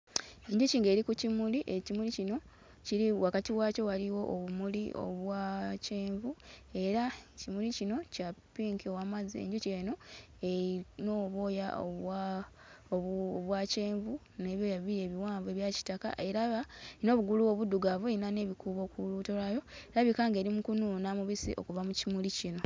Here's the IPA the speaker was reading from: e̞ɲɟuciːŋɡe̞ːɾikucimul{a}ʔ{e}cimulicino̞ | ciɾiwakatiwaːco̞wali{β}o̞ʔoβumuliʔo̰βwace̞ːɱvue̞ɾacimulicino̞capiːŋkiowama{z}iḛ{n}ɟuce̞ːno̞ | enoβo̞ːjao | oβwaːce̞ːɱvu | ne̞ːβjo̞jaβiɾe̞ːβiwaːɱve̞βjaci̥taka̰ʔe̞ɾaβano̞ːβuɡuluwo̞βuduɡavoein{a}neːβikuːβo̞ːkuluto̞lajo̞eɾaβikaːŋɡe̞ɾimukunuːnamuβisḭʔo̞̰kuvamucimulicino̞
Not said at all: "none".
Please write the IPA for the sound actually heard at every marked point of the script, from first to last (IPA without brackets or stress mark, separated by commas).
i, e, w, z, ɲ, a